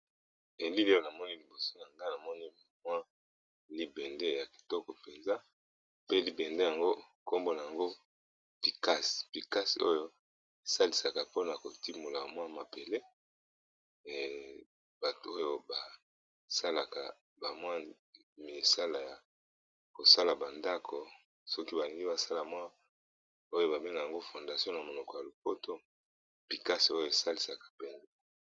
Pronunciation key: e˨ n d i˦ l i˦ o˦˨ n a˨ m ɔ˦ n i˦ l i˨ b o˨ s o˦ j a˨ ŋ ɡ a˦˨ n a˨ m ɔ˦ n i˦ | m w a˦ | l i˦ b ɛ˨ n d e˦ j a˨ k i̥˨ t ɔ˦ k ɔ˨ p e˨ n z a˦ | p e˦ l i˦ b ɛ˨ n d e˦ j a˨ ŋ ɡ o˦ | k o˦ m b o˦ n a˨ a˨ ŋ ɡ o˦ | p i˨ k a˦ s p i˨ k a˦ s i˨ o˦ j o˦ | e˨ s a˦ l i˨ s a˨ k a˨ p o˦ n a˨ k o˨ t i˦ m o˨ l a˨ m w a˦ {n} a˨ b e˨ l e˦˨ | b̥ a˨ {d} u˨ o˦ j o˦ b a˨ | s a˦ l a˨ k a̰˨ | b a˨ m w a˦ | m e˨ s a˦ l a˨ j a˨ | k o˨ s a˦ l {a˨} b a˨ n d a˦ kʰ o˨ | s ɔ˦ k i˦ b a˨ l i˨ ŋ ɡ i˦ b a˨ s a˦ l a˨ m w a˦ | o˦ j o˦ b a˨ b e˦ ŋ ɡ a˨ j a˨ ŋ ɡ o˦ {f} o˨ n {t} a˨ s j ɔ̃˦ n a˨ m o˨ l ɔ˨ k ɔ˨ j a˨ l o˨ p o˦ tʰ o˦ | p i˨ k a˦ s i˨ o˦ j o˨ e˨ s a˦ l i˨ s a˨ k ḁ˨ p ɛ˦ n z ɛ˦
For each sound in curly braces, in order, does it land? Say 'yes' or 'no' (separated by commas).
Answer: no, no, yes, yes, no